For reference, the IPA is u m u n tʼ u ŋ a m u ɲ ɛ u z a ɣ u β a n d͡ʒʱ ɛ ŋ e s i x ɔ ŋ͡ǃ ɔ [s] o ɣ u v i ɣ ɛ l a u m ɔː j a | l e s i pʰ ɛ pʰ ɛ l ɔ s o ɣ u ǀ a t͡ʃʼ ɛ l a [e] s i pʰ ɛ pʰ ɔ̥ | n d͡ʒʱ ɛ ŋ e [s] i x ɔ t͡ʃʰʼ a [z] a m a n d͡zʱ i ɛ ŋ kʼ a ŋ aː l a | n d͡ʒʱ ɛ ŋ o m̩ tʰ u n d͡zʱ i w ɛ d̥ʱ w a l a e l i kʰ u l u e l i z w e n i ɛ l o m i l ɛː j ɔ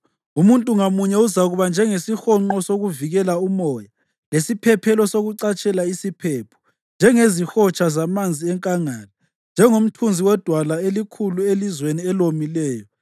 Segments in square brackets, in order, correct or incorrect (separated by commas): correct, incorrect, incorrect, correct